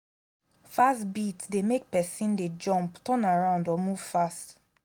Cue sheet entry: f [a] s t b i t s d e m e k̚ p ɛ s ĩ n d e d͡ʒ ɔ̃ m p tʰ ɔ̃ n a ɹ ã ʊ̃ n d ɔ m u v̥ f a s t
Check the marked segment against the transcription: correct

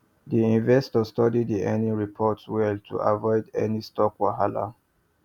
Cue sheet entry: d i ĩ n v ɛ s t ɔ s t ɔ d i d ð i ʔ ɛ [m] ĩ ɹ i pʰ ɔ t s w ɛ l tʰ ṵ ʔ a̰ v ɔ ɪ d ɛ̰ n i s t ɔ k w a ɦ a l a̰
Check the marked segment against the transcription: incorrect: n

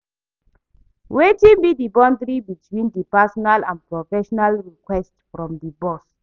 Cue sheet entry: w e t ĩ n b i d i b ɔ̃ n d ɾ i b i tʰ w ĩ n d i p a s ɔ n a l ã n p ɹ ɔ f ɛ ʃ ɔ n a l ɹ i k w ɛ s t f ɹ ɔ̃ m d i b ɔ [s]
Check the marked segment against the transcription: correct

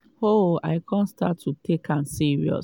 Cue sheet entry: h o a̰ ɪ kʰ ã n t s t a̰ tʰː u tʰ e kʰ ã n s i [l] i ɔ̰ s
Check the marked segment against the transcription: incorrect: ɹ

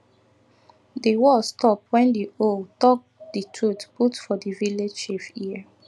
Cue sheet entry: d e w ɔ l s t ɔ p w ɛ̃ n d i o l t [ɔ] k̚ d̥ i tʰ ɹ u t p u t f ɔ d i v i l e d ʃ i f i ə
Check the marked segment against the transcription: correct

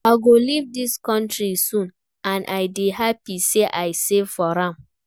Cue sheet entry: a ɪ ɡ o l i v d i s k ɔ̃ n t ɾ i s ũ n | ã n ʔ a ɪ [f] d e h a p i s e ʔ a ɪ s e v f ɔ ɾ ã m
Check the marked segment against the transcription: incorrect: none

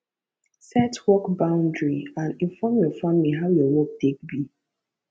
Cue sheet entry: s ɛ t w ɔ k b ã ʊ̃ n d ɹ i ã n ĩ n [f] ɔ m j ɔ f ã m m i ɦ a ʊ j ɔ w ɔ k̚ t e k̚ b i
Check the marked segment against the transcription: correct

